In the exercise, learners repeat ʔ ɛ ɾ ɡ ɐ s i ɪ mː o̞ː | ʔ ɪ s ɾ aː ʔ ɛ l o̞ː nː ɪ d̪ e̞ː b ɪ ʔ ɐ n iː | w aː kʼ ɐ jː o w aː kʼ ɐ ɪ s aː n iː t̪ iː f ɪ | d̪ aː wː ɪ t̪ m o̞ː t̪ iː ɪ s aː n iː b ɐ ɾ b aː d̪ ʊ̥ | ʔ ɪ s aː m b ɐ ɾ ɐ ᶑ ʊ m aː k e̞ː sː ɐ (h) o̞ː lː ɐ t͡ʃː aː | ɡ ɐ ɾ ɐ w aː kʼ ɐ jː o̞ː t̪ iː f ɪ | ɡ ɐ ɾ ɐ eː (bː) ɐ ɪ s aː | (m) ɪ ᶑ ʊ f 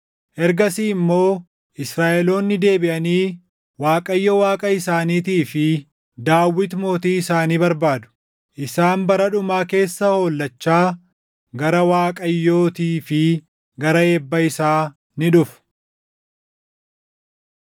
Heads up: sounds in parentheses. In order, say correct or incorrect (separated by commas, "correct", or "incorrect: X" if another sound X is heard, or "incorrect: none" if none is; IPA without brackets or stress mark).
correct, correct, incorrect: n